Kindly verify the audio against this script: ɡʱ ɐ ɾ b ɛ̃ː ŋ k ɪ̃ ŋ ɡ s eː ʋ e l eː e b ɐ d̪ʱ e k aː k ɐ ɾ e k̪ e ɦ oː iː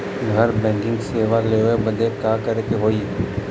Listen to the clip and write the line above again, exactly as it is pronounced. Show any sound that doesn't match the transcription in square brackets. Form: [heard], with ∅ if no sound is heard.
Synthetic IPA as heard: ɡʱ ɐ ɾ b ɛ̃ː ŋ k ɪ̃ ŋ ɡ s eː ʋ [a] l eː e b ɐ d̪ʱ e k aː k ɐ ɾ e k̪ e ɦ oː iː